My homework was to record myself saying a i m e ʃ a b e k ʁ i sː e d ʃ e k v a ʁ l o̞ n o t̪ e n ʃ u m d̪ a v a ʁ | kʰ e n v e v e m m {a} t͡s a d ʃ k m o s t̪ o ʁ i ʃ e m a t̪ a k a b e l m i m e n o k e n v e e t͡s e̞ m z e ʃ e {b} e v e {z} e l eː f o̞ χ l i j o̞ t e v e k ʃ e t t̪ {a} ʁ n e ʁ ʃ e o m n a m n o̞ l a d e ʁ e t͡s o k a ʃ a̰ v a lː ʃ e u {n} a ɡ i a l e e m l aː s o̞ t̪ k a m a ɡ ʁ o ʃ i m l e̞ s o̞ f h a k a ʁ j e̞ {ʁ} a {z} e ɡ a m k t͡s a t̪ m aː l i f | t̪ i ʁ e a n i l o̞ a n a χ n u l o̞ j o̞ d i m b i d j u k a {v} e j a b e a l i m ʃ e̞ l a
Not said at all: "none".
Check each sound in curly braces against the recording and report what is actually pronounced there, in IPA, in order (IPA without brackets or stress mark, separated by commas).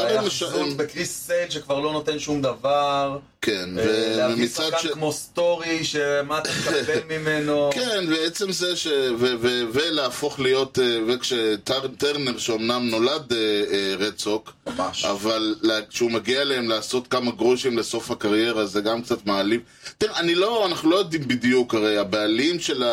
i, v, v, e, m, ʁ, z, ʁ